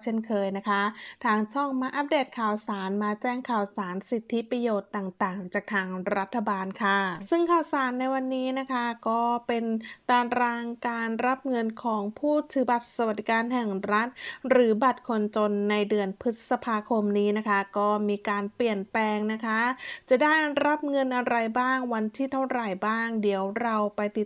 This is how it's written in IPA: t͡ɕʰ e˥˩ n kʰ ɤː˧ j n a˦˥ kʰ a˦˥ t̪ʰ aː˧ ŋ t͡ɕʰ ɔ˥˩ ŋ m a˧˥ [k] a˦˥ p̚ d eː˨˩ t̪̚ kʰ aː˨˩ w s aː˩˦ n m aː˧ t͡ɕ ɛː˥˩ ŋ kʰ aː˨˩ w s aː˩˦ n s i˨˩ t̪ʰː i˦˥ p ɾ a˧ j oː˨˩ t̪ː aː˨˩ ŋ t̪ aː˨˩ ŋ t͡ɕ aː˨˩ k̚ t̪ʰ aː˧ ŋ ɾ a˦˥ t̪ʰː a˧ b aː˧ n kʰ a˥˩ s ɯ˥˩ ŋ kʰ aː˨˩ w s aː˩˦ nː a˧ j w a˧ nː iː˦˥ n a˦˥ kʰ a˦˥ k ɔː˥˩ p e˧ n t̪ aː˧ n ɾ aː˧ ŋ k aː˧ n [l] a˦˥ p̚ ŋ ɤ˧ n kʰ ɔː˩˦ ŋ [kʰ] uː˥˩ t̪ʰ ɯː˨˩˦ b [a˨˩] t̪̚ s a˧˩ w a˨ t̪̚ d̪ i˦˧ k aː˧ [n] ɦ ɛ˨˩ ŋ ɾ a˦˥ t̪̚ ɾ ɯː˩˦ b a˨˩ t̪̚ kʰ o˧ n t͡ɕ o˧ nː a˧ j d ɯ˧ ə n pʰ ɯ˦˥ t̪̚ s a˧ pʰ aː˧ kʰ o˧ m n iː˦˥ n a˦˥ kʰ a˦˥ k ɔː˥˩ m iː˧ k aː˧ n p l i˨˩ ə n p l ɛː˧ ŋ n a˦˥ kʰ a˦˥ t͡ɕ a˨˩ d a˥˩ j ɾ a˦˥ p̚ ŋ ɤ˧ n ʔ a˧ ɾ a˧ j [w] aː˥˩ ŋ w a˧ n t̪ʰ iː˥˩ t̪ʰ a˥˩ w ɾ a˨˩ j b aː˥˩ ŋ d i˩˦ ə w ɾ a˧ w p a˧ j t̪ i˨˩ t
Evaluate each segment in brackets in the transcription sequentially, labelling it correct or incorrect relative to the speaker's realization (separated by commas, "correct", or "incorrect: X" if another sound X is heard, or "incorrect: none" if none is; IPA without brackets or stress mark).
incorrect: ʔ, incorrect: ɾ, incorrect: pʰ, correct, correct, incorrect: b